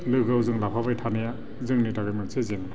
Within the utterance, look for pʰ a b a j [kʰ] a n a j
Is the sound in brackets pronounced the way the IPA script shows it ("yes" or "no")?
no